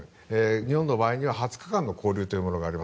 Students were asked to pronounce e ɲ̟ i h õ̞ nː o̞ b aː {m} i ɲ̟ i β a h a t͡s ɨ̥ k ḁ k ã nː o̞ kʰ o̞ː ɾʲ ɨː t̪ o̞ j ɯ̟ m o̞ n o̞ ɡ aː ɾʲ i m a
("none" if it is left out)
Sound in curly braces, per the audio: none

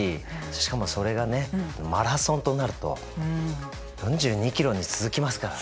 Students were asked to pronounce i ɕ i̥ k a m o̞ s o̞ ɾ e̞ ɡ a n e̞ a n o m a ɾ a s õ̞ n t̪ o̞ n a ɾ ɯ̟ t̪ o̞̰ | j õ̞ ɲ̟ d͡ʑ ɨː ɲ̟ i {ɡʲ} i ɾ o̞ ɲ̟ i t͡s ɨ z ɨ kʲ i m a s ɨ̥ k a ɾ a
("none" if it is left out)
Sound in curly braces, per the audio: kʲ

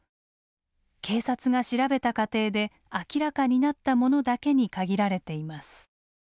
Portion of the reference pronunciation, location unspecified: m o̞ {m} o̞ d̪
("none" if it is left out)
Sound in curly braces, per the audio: n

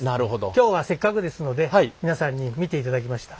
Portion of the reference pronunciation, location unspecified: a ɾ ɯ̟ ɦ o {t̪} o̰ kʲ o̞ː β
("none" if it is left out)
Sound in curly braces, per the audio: d̪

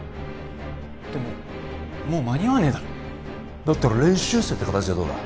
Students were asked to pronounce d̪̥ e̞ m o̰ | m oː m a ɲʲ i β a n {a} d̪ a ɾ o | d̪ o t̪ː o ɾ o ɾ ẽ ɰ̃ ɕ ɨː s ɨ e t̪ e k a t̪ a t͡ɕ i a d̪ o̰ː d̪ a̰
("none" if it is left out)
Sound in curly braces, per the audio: e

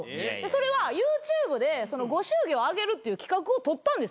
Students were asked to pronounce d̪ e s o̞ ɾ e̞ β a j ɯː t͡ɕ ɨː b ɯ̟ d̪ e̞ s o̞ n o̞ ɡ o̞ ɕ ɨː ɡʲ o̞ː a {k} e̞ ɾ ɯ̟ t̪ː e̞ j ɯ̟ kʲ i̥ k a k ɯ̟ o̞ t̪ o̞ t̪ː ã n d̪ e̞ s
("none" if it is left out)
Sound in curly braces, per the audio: ɡ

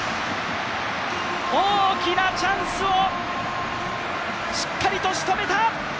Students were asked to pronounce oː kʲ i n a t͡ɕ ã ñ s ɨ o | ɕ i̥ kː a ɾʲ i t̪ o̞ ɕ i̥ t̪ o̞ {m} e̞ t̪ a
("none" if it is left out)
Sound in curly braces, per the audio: m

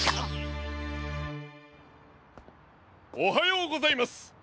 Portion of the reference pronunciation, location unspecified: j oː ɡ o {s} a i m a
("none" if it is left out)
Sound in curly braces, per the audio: z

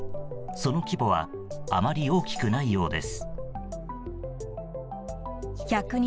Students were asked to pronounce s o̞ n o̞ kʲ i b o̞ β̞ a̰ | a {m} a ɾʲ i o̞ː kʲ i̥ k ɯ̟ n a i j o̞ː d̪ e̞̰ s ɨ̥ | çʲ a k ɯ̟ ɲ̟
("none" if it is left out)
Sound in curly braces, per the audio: m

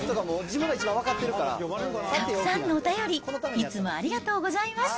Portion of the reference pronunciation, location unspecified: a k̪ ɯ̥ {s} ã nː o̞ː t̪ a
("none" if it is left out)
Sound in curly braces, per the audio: s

